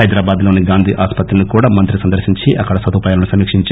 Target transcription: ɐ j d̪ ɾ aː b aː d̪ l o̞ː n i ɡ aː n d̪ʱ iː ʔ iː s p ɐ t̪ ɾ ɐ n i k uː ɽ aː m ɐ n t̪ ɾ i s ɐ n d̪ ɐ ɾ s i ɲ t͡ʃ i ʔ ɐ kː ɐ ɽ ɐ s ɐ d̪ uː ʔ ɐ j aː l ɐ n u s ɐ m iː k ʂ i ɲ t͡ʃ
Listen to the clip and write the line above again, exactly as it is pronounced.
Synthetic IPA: ɐ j d̪ ɾ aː b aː d̪ l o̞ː n i ɡ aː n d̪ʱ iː ʔ aː s p ɐ t̪ ɾ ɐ n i k uː ɽ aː m ɐ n t̪ ɾ i s ɐ n d̪ ɐ ɾ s i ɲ t͡ʃ i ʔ ɐ kː ɐ ɽ ɐ s ɐ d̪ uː p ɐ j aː l ɐ n u s ɐ m iː k ʂ i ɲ t͡ʃ